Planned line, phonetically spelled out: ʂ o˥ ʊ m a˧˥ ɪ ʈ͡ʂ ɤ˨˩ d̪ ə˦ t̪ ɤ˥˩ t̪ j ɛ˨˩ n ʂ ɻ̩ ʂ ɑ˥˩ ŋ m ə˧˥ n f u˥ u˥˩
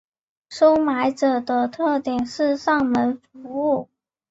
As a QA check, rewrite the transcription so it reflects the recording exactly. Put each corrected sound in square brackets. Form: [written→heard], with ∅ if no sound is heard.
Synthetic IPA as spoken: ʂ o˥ ʊ m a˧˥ ɪ ʈ͡ʂ ɤ˨˩ d̪ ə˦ [t̪→t̪ʰ] ɤ˥˩ t̪ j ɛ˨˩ n ʂ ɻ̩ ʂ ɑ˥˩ ŋ m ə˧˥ n f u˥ u˥˩

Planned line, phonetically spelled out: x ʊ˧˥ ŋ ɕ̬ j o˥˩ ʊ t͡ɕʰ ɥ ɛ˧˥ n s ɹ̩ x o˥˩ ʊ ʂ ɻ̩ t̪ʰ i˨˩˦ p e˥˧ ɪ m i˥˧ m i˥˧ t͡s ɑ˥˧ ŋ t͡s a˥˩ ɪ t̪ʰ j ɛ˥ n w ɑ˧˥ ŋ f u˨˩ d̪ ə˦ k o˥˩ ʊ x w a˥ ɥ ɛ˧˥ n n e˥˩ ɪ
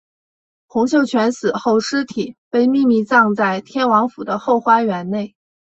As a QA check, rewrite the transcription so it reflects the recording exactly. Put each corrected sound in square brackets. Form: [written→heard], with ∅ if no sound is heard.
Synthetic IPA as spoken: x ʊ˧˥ ŋ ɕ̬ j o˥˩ ʊ t͡ɕʰ ɥ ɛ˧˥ n s ɹ̩ x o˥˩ ʊ ʂ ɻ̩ t̪ʰ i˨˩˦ p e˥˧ ɪ m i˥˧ m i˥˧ t͡s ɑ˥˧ ŋ t͡s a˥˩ ɪ t̪ʰ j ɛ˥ n w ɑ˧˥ ŋ f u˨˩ d̪ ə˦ [k→x] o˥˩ ʊ x w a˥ ɥ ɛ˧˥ n n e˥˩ ɪ

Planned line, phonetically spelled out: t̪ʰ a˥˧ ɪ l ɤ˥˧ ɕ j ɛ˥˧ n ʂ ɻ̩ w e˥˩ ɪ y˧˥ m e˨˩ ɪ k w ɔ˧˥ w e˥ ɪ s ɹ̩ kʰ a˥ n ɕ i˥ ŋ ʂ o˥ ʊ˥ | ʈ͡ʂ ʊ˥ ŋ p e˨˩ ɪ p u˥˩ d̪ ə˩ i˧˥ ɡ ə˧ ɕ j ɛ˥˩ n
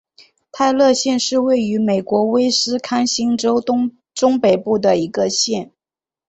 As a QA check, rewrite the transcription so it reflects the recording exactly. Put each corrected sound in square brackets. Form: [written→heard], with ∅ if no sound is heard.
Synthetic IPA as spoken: t̪ʰ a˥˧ ɪ l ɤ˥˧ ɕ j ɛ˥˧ n ʂ ɻ̩ w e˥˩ ɪ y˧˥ m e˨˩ ɪ k w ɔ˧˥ w e˥ ɪ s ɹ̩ kʰ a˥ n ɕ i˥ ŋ [ʂ→ʈ͡ʂ] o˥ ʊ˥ | ʈ͡ʂ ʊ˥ ŋ p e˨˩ ɪ p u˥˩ d̪ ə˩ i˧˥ ɡ ə˧ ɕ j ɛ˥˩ n

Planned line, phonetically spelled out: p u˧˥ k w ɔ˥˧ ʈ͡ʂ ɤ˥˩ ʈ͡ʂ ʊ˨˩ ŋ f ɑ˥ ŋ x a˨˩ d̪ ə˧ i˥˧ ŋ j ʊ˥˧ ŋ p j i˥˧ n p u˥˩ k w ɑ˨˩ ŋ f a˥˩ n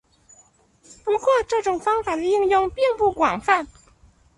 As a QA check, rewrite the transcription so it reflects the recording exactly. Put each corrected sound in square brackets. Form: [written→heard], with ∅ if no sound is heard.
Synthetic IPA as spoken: p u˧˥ k w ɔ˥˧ ʈ͡ʂ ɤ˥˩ ʈ͡ʂ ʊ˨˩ ŋ f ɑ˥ ŋ [x→f] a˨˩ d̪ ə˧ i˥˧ ŋ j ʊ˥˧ ŋ p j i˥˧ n p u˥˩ k w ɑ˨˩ ŋ f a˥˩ n

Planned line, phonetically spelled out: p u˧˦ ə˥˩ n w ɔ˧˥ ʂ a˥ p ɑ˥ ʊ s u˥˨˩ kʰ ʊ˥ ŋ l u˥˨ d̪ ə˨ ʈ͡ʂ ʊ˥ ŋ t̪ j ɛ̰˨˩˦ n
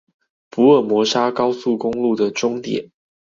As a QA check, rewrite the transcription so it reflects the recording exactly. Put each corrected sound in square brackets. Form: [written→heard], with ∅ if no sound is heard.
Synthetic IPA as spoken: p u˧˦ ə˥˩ [n→m] w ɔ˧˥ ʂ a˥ [p→k] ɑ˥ ʊ s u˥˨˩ [kʰ→k] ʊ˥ ŋ l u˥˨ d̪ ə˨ ʈ͡ʂ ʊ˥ ŋ t̪ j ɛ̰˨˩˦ n

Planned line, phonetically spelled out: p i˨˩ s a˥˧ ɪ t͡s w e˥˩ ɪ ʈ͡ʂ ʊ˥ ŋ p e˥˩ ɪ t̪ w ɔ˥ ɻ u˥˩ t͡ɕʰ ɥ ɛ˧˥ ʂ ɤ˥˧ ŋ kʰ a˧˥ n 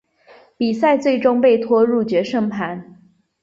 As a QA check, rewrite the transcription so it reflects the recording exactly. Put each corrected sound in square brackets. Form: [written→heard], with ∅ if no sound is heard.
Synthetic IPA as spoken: p i˨˩ s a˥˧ ɪ t͡s w e˥˩ ɪ ʈ͡ʂ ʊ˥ ŋ p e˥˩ ɪ [t̪→t̪ʰ] w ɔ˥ ɻ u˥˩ [t͡ɕʰ→t͡ɕ] ɥ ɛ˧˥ ʂ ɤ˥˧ ŋ [kʰ→pʰ] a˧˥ n

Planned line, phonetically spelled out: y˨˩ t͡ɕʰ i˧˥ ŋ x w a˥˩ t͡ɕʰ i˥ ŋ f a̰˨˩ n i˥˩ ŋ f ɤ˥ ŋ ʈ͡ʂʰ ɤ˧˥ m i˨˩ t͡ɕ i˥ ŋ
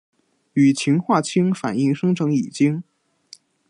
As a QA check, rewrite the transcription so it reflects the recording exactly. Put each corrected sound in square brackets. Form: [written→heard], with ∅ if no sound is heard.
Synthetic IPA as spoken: y˨˩ t͡ɕʰ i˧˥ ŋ x w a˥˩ t͡ɕʰ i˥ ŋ f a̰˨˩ n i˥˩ ŋ [f→ʂ] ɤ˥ ŋ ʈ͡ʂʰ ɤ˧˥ [m→ŋ] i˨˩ t͡ɕ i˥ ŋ

